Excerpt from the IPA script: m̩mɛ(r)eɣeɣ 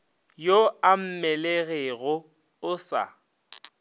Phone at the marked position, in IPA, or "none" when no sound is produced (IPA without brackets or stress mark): l